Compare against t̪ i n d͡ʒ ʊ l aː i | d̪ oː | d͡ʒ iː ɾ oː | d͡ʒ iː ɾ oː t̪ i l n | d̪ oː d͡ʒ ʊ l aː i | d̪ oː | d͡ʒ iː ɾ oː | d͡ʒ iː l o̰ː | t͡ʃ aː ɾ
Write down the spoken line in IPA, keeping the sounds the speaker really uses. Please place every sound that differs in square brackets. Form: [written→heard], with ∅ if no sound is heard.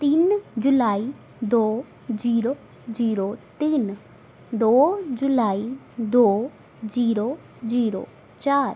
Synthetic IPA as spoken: t̪ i n d͡ʒ ʊ l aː i | d̪ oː | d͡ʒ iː ɾ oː | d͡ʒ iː ɾ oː t̪ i [l→∅] n | d̪ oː d͡ʒ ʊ l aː i | d̪ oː | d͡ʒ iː ɾ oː | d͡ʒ iː [l→ɾ] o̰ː | t͡ʃ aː ɾ